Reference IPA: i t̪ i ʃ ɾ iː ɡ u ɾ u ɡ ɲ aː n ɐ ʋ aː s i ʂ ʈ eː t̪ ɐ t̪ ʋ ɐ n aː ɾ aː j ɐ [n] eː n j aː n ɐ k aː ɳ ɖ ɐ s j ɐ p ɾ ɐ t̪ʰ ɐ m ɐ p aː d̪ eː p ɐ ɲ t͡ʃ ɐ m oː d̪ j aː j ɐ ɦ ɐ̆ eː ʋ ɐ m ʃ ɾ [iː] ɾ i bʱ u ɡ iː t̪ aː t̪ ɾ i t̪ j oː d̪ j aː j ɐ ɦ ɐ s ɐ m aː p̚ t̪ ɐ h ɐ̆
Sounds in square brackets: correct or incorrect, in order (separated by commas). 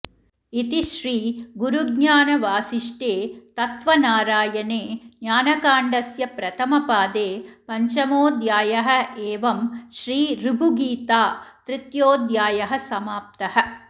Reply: correct, correct